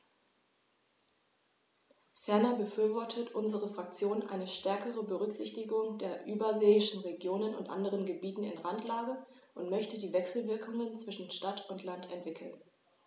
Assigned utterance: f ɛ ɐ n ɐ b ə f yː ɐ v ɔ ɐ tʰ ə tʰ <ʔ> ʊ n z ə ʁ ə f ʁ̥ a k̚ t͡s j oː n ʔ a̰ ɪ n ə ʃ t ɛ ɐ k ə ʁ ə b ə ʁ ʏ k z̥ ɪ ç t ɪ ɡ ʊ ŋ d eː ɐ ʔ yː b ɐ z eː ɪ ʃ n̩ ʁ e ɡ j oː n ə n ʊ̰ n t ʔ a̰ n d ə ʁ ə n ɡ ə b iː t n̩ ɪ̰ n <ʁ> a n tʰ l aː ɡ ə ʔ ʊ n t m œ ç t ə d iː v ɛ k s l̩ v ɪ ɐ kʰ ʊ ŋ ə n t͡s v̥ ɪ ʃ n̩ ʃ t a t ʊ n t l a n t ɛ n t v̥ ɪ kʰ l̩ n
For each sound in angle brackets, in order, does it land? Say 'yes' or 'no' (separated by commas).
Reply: yes, yes